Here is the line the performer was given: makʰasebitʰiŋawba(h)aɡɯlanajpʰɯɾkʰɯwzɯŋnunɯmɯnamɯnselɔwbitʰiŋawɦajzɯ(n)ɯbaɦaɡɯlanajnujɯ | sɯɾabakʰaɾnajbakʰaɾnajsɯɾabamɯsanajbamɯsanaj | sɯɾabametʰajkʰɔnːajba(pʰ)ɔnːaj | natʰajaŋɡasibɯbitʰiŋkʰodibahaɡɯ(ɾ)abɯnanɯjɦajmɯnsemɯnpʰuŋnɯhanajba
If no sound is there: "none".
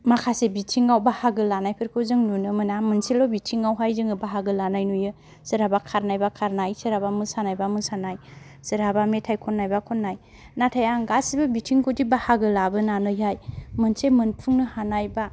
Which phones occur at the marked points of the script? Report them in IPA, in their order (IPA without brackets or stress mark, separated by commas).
h, ŋ, kʰ, l